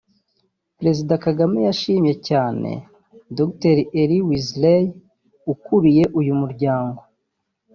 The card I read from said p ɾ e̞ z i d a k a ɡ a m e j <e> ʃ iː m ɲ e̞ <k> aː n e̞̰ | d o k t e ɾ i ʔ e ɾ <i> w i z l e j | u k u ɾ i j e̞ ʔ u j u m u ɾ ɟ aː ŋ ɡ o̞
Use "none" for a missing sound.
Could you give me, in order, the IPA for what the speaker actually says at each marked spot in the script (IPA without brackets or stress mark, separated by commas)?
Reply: a, c, i